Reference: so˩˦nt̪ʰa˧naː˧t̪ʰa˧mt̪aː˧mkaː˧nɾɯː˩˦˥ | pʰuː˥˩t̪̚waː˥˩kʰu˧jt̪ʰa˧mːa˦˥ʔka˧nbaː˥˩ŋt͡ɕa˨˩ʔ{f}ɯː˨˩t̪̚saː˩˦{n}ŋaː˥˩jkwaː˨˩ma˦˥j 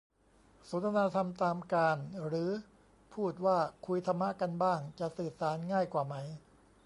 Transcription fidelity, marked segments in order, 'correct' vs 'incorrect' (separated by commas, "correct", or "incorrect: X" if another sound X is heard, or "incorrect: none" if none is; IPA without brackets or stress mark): incorrect: s, correct